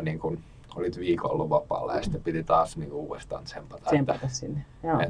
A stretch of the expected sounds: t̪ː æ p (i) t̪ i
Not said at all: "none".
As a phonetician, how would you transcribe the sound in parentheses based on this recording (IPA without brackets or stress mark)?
i